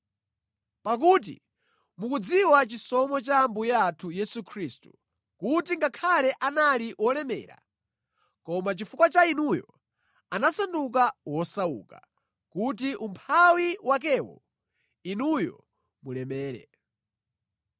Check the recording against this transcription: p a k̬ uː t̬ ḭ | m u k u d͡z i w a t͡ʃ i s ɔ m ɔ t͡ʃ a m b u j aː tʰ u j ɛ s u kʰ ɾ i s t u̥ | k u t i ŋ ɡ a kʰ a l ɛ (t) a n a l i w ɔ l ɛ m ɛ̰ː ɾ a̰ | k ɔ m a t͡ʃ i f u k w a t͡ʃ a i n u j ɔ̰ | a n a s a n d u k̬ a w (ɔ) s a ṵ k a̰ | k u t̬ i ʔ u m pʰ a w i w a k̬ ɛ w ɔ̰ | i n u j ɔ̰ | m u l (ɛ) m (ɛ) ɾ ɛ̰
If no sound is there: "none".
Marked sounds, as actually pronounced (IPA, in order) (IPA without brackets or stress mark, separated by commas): ʔ, ɔ, ɛ, ɛː